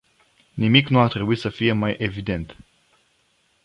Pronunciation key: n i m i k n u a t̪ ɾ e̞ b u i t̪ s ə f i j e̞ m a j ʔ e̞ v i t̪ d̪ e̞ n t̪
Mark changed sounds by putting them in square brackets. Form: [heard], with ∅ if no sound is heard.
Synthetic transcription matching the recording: n i m i k n u a t̪ ɾ e̞ b u i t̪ s ə f i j e̞ m a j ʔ e̞ v i [∅] d̪ e̞ n t̪